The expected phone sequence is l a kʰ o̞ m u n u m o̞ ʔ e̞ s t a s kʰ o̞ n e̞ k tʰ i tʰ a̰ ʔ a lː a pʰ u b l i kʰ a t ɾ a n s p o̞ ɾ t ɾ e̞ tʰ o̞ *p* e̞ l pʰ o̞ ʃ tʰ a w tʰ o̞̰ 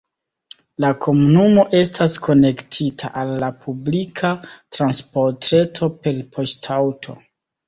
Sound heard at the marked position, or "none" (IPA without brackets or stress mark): p